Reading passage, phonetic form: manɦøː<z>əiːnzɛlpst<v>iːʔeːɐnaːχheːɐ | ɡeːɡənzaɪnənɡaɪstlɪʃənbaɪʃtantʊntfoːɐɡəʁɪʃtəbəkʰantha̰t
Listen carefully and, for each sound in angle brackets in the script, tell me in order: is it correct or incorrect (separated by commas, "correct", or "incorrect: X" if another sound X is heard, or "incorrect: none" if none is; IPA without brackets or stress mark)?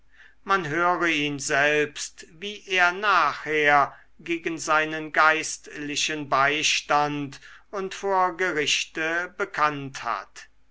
incorrect: ʁ, correct